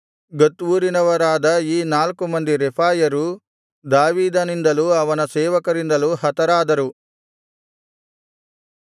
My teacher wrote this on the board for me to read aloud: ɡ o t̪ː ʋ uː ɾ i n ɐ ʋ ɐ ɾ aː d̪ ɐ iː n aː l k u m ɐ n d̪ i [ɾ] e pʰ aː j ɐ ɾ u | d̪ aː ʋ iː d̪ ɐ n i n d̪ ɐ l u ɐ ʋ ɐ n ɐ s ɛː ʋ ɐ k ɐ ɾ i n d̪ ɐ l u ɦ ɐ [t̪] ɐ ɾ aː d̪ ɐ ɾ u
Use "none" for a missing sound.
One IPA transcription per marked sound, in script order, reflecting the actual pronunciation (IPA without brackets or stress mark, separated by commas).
ɾ, t̪